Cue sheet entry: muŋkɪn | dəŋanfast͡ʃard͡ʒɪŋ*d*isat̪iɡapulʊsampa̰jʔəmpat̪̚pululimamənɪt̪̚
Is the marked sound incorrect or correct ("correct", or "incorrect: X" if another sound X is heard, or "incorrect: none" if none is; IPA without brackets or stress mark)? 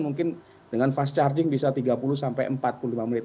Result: incorrect: b